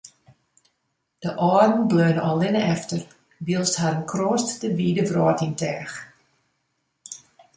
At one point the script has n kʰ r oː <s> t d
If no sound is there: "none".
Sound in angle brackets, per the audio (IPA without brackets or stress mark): s